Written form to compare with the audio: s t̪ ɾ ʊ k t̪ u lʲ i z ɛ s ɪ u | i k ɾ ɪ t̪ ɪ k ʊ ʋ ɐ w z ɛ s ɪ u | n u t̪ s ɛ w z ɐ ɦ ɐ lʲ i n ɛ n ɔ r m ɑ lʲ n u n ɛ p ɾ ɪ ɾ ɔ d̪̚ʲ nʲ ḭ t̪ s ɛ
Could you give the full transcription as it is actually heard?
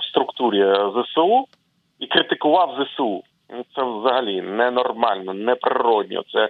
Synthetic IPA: s t̪ ɾ ʊ k t̪ u ɾʲ i z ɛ s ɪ u | i k ɾ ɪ t̪ ɪ k ʊ ʋ ɑ w z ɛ s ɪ u | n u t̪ s ɛ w z ɐ ɦ ɐ lʲ i n ɛ n ɔ r m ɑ lʲ n ɔ n ɛ p ɾ ɪ ɾ ɔ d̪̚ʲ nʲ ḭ t̪ s ɛ